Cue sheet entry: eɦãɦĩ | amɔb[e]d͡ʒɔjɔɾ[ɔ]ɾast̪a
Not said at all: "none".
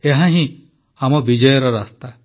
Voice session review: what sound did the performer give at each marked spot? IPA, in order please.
i, ɔ

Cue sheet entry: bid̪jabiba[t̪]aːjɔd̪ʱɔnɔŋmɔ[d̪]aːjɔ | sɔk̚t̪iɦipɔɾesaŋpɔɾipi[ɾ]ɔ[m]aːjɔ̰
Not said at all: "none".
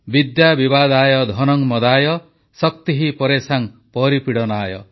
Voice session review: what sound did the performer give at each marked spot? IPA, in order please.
d̪, d̪, ɽ, n

